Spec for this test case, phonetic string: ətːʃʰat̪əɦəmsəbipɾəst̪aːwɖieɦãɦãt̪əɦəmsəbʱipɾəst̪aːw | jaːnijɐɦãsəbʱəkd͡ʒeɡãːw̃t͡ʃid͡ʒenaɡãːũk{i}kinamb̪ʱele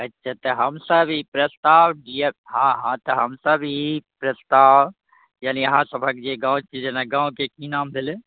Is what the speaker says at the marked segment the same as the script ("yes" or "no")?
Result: no